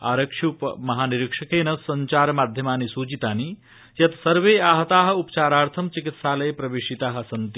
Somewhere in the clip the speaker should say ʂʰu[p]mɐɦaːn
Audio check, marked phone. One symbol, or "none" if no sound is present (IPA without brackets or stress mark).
p